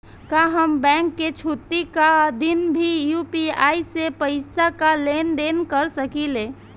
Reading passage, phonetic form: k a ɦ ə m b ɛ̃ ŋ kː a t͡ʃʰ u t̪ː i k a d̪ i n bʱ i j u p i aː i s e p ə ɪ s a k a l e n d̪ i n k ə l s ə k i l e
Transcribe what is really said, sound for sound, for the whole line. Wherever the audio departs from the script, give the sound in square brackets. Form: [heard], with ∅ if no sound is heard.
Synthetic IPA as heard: k a ɦ ə m b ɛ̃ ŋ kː [e] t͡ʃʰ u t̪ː i k a d̪ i n bʱ i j u p i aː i s e p ə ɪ s a k a l e n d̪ [e] n k ə [ɾ] s ə k i l e